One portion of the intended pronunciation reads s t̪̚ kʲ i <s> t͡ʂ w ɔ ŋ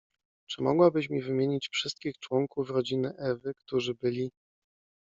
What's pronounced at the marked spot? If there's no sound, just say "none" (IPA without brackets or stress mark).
x